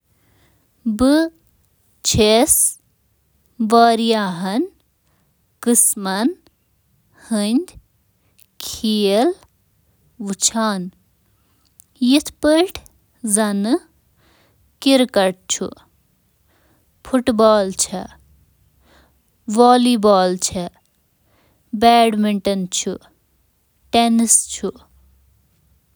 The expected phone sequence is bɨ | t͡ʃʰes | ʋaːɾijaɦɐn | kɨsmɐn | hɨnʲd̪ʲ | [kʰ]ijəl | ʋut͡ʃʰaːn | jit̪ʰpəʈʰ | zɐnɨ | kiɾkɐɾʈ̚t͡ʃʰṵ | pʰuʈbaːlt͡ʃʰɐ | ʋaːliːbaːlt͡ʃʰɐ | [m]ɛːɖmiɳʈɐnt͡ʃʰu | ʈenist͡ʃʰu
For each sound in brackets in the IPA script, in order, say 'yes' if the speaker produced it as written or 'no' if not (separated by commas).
yes, no